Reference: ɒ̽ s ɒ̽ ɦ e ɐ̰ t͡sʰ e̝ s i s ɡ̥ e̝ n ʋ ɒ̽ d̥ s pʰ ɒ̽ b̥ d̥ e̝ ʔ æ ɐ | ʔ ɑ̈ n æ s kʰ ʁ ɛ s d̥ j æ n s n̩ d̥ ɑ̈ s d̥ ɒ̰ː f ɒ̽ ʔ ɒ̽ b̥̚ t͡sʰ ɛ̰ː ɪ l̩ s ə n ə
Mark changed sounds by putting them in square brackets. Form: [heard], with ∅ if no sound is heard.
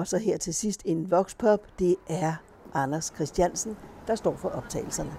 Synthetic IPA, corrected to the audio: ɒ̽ s ɒ̽ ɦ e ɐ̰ t͡sʰ e̝ s i s [d̥] e̝ n ʋ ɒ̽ [ɡ̥] s pʰ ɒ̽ b̥ d̥ e̝ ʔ æ ɐ | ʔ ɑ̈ n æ s kʰ ʁ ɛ s d̥ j æ n s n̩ d̥ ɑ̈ s d̥ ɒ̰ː f ɒ̽ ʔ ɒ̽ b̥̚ t͡sʰ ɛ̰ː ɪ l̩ s [ɐ] n ə